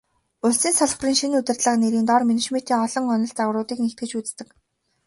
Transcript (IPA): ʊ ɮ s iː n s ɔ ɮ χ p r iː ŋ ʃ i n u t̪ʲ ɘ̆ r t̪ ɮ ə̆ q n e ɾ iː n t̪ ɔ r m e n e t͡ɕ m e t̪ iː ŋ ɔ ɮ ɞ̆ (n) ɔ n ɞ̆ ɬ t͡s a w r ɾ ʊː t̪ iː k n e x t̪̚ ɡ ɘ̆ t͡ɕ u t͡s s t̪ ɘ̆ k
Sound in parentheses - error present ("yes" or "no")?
yes